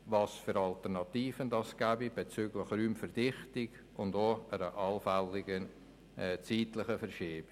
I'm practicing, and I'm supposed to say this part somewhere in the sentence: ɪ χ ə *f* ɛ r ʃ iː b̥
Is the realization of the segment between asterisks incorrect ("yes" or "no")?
no